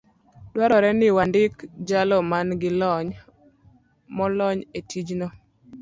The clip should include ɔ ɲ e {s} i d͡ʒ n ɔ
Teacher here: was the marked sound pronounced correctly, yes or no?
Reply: no